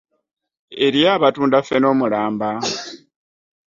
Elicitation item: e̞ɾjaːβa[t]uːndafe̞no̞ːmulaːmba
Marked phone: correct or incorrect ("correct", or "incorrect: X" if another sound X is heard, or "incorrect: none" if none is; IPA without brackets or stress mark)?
correct